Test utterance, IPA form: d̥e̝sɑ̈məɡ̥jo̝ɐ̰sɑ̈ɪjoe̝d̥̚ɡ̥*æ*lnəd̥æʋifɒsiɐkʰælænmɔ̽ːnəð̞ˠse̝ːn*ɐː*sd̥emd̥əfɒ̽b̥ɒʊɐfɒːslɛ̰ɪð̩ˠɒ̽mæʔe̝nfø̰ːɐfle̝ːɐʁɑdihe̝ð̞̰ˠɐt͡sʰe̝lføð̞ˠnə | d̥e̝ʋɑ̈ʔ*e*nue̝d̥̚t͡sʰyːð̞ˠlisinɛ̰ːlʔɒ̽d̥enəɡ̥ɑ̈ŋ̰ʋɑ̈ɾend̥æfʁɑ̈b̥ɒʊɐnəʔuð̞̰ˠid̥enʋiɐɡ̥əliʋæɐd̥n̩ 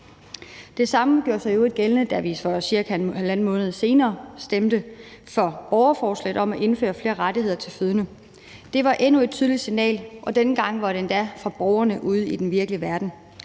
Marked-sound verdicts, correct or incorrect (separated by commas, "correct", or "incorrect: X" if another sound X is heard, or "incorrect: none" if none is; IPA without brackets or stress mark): incorrect: e, correct, correct